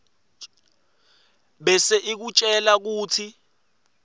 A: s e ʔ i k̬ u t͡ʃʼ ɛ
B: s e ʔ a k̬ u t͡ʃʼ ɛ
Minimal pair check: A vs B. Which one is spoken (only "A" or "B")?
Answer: A